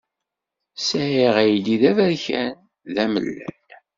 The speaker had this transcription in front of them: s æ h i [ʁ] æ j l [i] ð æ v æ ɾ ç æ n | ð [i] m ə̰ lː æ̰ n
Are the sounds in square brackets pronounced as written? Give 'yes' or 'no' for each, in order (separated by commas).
yes, yes, no